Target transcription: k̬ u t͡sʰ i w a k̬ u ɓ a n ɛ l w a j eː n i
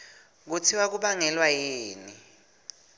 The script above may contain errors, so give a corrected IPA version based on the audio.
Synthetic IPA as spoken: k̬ u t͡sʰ i w a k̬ u ɓ a ŋ ɛ l w a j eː n i